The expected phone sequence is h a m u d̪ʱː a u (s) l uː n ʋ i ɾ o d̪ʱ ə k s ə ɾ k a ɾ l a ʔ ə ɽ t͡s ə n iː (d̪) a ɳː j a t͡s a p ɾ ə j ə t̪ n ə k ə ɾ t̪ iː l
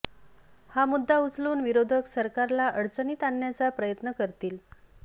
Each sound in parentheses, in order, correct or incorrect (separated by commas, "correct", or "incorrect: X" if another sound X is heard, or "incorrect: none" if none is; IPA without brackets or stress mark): incorrect: t͡s, incorrect: t̪